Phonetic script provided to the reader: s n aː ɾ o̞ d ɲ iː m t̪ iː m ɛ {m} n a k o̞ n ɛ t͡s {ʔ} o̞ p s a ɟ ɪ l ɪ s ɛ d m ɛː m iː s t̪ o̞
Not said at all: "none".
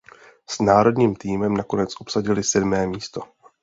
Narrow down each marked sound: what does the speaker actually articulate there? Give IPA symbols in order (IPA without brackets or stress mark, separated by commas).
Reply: m, ʔ